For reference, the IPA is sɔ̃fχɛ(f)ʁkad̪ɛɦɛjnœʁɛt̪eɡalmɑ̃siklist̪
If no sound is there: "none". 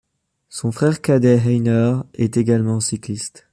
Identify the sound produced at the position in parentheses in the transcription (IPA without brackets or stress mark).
none